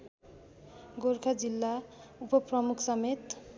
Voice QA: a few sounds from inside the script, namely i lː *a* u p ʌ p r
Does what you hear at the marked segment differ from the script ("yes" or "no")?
no